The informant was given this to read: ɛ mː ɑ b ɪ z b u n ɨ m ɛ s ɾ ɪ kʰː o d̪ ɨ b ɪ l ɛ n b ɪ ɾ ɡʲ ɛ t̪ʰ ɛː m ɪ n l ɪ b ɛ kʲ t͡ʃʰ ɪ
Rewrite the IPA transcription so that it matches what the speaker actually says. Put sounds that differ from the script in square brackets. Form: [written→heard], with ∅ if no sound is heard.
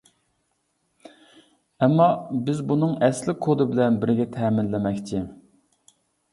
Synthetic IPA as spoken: ɛ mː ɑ b ɪ z b u n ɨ [m→ŋ] ɛ s [ɾ→l] ɪ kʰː o d̪ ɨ b ɪ l ɛ n b ɪ ɾ ɡʲ ɛ t̪ʰ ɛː m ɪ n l ɪ [b→m] ɛ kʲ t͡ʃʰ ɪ